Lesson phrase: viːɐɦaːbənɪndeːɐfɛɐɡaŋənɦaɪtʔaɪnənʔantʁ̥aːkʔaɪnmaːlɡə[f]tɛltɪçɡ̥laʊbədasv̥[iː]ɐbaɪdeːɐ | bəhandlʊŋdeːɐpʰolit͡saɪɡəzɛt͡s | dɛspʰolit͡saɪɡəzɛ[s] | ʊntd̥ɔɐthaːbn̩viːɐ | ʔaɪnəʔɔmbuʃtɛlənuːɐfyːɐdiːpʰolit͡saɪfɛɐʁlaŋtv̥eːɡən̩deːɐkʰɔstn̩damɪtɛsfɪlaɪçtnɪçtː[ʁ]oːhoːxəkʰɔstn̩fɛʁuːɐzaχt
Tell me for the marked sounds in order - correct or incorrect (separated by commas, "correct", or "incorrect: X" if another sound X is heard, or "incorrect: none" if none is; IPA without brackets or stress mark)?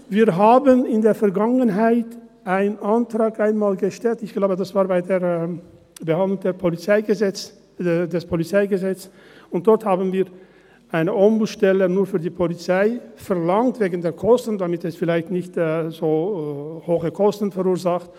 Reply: incorrect: ʃ, incorrect: aː, incorrect: t͡s, incorrect: z